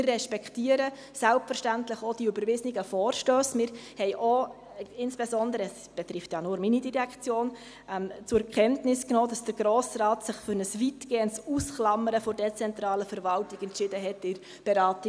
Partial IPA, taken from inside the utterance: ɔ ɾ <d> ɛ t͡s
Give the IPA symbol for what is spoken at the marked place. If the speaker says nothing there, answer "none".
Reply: d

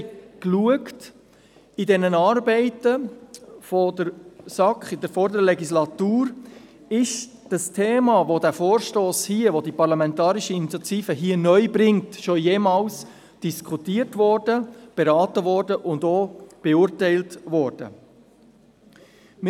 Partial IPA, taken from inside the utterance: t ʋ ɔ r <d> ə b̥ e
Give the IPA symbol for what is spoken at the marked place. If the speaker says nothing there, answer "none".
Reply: d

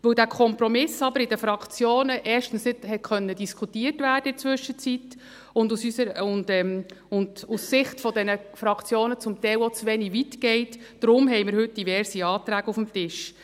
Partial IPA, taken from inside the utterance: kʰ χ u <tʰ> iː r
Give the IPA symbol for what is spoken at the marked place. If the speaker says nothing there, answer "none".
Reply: t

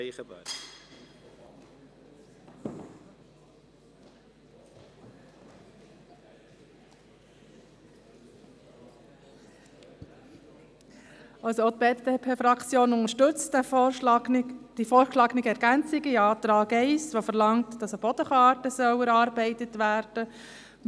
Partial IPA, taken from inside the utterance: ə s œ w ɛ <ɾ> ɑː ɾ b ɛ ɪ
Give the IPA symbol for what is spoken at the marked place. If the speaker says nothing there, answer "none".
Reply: ɾ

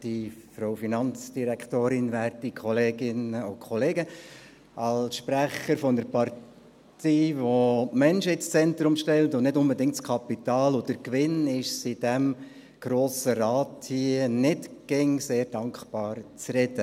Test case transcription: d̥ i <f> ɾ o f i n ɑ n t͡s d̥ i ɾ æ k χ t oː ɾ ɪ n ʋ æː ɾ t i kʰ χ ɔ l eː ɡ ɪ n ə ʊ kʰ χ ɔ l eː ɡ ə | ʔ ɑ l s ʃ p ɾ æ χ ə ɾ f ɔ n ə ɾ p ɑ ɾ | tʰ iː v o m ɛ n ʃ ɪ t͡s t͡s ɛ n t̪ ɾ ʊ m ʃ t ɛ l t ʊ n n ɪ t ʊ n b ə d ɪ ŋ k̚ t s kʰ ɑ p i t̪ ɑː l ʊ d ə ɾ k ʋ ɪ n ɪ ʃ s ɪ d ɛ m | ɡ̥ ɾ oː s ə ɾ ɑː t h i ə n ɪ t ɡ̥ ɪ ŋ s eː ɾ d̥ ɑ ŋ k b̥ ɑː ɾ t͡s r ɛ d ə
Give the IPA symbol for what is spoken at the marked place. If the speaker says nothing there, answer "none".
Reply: f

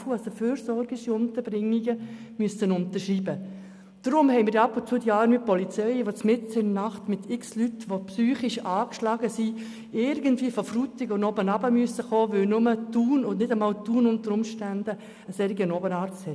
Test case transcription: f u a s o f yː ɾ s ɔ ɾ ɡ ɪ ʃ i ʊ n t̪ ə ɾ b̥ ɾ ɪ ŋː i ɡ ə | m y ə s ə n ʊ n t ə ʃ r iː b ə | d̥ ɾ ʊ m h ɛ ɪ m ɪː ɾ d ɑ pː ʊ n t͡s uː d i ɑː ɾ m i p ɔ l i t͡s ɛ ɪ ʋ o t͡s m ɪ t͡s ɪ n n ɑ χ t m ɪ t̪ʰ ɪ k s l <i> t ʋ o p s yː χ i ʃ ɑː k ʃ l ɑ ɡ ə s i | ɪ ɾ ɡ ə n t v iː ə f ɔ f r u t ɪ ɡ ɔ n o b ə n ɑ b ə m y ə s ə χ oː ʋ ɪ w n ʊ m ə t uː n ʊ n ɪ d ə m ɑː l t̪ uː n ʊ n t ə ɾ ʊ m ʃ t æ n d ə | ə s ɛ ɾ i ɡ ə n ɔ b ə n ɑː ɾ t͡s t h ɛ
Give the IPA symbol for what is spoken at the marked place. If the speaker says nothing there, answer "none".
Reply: y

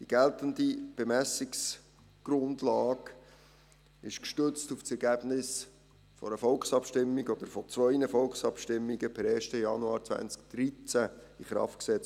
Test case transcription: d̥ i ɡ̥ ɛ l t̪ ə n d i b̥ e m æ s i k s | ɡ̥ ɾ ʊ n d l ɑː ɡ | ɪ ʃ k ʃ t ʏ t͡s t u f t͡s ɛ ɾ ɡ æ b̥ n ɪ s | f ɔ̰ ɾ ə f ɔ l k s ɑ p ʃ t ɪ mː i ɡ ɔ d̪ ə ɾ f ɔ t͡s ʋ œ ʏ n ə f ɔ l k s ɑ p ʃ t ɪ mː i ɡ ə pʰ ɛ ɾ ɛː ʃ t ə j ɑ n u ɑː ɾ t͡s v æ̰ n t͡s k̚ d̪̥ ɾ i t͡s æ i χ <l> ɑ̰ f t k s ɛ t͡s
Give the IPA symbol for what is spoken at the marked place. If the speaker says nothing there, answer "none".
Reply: ɾ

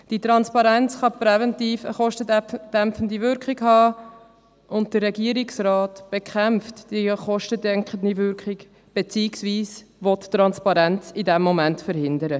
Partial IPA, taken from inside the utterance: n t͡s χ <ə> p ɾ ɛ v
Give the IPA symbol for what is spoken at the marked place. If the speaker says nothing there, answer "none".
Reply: ɑ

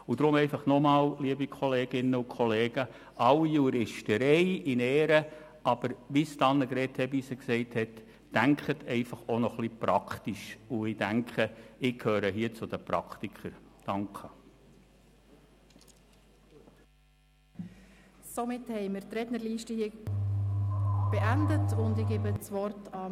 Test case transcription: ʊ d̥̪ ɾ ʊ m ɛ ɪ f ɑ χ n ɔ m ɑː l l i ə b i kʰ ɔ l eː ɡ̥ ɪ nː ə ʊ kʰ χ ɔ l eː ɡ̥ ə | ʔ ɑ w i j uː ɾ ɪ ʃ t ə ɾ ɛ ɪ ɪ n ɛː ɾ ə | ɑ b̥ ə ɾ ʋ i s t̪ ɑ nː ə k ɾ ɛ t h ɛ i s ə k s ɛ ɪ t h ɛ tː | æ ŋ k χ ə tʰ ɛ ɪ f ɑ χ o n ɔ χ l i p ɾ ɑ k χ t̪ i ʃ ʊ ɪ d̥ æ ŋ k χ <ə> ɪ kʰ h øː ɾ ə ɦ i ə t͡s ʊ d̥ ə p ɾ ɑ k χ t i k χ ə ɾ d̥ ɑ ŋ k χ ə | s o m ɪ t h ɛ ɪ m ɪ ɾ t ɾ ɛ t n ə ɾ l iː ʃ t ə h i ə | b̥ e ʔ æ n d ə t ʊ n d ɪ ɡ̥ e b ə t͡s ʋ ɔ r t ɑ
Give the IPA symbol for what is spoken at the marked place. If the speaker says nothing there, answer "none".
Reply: ə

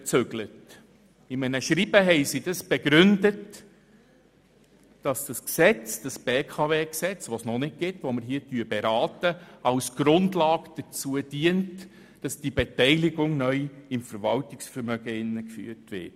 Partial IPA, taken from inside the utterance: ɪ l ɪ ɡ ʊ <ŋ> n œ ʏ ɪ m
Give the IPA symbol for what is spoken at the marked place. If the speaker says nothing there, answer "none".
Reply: ŋ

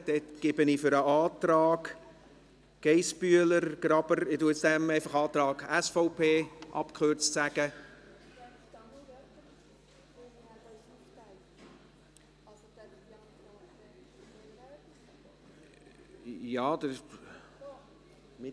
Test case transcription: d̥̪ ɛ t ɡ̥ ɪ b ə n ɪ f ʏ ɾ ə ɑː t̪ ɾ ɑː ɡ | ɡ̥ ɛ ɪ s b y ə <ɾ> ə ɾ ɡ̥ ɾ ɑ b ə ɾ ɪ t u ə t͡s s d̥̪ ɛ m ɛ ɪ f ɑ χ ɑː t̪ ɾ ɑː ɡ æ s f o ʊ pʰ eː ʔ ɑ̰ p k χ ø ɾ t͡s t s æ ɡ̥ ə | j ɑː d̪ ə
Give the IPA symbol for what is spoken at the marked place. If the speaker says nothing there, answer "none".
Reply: l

